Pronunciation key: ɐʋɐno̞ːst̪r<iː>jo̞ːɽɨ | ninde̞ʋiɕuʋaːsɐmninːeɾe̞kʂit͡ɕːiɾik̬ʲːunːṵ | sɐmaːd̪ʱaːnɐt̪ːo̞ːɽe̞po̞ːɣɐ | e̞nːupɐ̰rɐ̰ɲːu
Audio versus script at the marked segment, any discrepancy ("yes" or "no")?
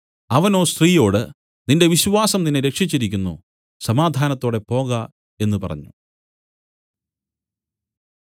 no